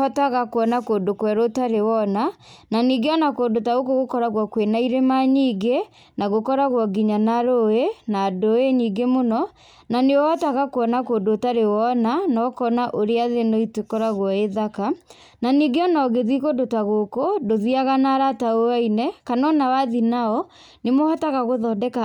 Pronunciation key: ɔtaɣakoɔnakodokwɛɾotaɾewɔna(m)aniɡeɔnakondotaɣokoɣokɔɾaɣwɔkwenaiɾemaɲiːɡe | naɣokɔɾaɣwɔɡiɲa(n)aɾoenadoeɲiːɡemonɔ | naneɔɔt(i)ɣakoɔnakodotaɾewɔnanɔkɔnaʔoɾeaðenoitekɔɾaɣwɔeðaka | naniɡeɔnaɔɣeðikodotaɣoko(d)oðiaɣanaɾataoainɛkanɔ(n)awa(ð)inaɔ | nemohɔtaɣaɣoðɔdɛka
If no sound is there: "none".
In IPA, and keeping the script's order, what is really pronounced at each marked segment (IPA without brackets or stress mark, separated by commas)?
n, n, a, d, n, ð